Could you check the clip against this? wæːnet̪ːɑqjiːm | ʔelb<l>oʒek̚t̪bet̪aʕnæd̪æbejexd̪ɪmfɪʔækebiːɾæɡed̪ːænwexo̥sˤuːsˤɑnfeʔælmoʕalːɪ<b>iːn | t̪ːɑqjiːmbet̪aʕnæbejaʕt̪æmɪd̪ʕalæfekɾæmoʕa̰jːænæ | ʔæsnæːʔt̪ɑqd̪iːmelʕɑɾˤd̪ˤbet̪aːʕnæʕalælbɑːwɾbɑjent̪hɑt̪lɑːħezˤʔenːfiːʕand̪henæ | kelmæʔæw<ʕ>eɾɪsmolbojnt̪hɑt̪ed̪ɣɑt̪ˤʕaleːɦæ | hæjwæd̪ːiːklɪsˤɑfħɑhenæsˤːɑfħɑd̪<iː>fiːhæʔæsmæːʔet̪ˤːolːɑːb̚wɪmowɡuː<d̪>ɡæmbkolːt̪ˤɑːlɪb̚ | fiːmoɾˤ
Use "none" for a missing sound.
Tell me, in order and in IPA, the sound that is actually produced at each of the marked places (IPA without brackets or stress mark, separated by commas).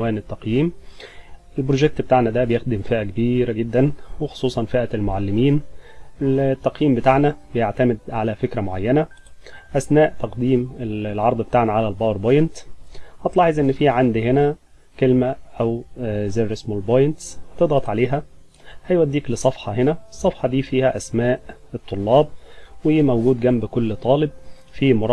ɾ, m, z, iː, d̪